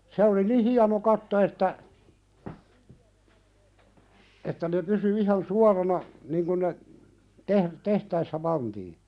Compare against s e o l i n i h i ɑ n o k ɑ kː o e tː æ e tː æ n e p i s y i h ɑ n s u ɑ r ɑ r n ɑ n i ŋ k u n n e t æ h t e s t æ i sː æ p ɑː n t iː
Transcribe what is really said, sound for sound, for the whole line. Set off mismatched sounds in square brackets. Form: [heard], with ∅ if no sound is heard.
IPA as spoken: s e o l i n i h i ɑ n o k ɑ [tː] o e tː æ e tː æ n e p [y] s y i h ɑ n s u ɑ r ɑ [∅] n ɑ n i ŋ k u n n e t [e] h t e [h] t æ i sː æ p [ɑ] n t iː

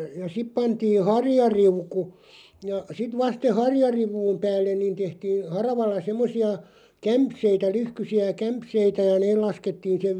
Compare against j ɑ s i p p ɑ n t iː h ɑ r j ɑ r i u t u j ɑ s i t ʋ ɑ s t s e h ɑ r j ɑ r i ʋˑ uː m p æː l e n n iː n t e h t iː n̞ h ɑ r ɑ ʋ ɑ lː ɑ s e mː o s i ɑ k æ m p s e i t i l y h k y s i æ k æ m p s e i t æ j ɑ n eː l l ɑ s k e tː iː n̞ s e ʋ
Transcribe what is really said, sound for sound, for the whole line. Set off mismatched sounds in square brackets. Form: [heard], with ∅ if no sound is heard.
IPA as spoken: j ɑ s i p p ɑ n t iː h ɑ r j ɑ r i u [k] u j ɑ s i t ʋ ɑ s t s e h ɑ r j ɑ r i ʋˑ uː m p æː [lː] e n n iː n t e h t iː n̞ h ɑ r ɑ ʋ ɑ lː ɑ s e mː o s i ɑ k æ m p s e i t [æ] l y h k y s i æ k æ m p s e i t æ j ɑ n eː l l ɑ s k e tː iː n̞ s e ʋ

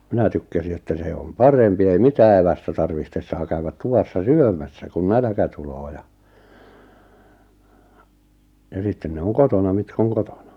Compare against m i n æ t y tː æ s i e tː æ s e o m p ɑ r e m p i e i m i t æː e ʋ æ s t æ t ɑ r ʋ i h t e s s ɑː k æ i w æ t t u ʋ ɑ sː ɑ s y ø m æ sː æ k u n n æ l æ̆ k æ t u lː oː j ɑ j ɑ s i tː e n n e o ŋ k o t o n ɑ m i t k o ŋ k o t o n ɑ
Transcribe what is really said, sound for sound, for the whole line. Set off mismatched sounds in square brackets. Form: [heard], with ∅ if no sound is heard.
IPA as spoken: m i n æ t y [kː] æ s i e tː æ s e o m p ɑ r e m p i e i m i t æː e ʋ æ s t æ t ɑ r ʋ i h t e s s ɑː k æ [y] w æ t t u ʋ ɑ sː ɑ s y ø m æ sː æ k u n n æ l æ̆ k æ t u [l] oː j ɑ j ɑ s i tː e n n e o ŋ k o t o n ɑ m i t k o ŋ k o t o n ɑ

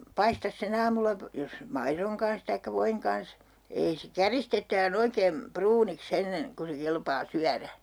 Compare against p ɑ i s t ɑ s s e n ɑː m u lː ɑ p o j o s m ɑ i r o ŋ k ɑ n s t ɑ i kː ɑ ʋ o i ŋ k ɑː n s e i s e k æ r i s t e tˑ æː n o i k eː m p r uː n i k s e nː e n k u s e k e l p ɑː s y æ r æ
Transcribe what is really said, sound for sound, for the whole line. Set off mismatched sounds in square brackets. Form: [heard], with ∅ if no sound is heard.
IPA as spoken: p ɑ i s t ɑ s s e n ɑː m u lː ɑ p o j o s m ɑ i r o ŋ k ɑ n s t ɑ i kː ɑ ʋ o i ŋ k [ɑ] n s e i s e k æ r i s t e tˑ æː n o i k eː m p r uː n i k s e nː e n k u s e k e l p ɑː s y æ r æ

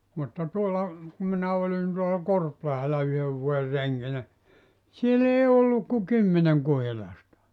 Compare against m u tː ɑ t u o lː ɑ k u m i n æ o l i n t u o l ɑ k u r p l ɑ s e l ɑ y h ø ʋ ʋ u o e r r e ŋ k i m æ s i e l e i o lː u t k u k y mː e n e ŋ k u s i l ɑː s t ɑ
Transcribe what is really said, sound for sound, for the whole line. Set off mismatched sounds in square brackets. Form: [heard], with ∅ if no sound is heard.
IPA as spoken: m u tː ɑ t u o lː ɑ k u m i n æ o l i n t u o l ɑ k [o] r p l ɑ [h] e l ɑ y h ø ʋ ʋ u o e r r e ŋ k i [n] æ s i e l e i o lː u [k] k u k y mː e n e ŋ k u [h] i l [ɑ] s t ɑ

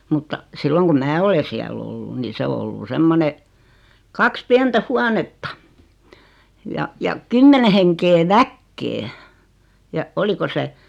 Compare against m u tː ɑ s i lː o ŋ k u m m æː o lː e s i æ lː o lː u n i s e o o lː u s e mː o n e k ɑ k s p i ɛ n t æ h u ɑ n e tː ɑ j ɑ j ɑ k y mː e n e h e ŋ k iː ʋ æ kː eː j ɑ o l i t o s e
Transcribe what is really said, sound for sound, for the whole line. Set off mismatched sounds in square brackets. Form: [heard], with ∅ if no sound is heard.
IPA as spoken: m u tː ɑ s i lː o ŋ k u m m æː o [l] e s i æ [l] o lː u n i s e o o lː u s e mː o n e k ɑ k s p i ɛ n t æ h u ɑ n e tː ɑ j ɑ j ɑ k y mː e n e h e ŋ k [eː] ʋ æ kː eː j ɑ o l i [k] o s e

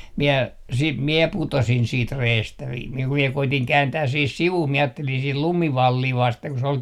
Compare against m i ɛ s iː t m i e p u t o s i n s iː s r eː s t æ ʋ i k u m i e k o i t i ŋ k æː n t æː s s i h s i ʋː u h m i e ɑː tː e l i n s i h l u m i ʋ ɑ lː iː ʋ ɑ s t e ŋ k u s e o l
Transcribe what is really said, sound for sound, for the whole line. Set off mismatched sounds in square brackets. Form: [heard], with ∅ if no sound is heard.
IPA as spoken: m i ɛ s iː t m i e p u t o s i n s iː [t] r eː s t æ ʋ i k u m i e k o i t i ŋ k æː n t æː s s i h s i [ʋ] u h m i e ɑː tː e l i n s i h l u m i ʋ ɑ lː iː ʋ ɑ s t e ŋ k u s e o l

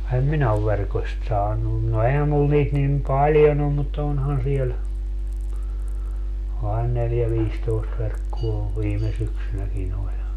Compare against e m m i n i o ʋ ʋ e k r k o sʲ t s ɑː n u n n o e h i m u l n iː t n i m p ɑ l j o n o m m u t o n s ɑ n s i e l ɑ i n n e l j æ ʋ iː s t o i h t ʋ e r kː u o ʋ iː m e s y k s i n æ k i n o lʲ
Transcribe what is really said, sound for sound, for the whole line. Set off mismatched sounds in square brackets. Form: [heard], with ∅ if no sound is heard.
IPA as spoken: e m m i n [æ] o ʋ ʋ e [∅] r k o sʲ t s ɑː n u n n o e h [æ] m u l n iː t n i m p ɑ l j o n o m m u t o n [h] ɑ n s i e l ɑ i n n e l j æ ʋ iː s t o i [s] t ʋ e r kː u o ʋ iː m e s y k s [y] n æ k i n o lʲ

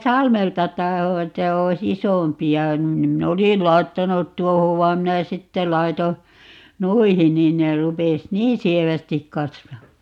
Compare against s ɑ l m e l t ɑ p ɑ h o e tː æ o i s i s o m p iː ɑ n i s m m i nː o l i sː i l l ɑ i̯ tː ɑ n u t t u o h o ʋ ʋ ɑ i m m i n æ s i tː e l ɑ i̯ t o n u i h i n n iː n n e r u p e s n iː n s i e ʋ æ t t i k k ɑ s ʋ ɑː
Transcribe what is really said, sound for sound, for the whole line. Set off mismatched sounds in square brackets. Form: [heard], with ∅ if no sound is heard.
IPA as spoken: s ɑ l m e l t ɑ [t] ɑ h o e tː æ o i s i s o m p [i] ɑ n i [∅] m m i nː o l i [s] i l l ɑ i̯ tː ɑ n u t t u o h o ʋ ʋ ɑ i m m i n æ s i tː e l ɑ i̯ t o n u i h i n n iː n n e r u p e s n iː n s i e ʋ æ [s] t i k k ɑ s ʋ ɑː

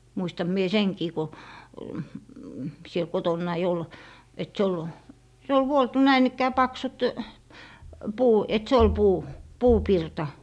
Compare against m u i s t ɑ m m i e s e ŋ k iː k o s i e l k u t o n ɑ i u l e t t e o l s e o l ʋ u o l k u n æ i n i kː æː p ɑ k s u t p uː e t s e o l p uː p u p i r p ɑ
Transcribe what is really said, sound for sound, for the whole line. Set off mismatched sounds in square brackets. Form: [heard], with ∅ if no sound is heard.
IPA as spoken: m u i s t ɑ m m i e s e ŋ k iː k o s i e l k [o] t o [nː] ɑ i [o] l e t [s] e o l s e o l ʋ u o l [t] u n æ i n i kː æː p ɑ k s u t p uː e t s e o l p uː p [uː] p i r [t] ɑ

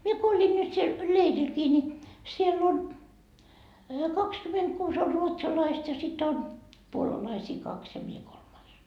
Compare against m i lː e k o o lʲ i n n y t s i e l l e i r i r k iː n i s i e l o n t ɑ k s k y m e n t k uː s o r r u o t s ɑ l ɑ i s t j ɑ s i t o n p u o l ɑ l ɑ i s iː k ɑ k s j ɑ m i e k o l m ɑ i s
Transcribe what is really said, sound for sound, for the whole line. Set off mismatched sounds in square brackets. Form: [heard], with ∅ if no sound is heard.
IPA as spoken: m i [∅] e k o o lʲ i n n y t s i e l l e i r i [l] k iː n i s i e [lː] o n [k] ɑ k s k y m e n t k uː s o r r u o t s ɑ l ɑ i s t j ɑ s i t o n p u o l ɑ l ɑ i s iː k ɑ k s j ɑ m i e k o l m ɑ i s

